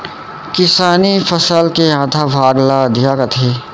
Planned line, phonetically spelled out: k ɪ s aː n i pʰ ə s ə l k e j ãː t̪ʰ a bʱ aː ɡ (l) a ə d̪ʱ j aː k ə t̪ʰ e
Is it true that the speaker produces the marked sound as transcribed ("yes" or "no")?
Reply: yes